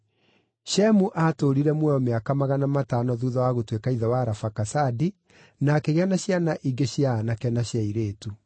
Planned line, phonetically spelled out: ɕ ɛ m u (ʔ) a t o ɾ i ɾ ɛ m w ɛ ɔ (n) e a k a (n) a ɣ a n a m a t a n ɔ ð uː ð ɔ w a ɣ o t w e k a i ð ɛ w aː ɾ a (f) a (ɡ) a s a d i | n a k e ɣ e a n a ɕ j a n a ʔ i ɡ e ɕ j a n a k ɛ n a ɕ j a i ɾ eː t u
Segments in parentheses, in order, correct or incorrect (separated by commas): correct, incorrect, incorrect, correct, incorrect